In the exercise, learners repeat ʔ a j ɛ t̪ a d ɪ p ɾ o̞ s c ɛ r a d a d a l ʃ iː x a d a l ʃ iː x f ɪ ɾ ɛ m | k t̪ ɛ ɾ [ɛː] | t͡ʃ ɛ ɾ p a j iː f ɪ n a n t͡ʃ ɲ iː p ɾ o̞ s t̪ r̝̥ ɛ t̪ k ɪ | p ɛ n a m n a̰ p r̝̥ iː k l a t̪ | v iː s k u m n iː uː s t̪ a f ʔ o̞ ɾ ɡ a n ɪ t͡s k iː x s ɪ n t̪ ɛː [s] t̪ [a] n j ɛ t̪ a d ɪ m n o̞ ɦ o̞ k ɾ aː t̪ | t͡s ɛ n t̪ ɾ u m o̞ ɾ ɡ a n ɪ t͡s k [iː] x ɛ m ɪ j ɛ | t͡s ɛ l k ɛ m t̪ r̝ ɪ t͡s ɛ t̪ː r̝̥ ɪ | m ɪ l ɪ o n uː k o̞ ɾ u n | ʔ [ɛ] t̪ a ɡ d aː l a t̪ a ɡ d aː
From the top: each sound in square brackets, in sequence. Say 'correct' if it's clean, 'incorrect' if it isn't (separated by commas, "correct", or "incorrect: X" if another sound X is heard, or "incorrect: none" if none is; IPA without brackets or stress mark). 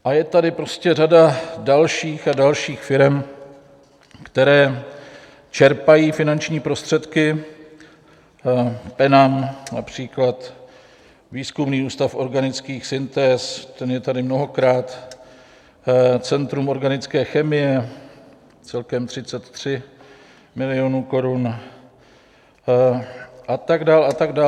correct, correct, incorrect: ɛ, incorrect: ɛː, incorrect: a